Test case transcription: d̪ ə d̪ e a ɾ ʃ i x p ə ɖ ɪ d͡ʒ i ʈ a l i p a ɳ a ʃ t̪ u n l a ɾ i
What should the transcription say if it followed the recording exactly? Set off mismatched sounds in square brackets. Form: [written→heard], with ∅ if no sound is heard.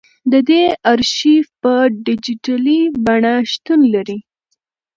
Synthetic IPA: d̪ ə d̪ e a ɾ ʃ i [x→f] p ə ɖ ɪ d͡ʒ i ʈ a l i [p→b] a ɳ a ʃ t̪ u n l a ɾ i